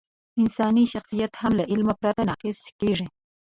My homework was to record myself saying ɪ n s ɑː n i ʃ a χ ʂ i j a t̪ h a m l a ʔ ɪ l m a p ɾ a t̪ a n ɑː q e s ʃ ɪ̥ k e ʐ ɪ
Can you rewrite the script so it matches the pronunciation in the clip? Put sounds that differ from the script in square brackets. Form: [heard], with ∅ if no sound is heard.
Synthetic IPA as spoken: ɪ n s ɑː n i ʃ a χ [s] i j a t̪ h a m l a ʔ ɪ l m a p ɾ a t̪ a n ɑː q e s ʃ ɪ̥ k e ʐ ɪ